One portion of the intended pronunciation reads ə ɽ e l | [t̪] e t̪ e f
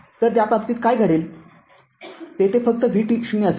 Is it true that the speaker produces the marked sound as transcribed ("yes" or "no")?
yes